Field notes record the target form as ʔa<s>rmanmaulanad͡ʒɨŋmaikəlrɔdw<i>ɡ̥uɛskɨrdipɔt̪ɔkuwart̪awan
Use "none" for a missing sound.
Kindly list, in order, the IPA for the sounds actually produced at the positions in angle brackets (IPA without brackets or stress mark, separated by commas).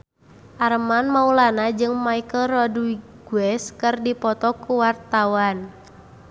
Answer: none, i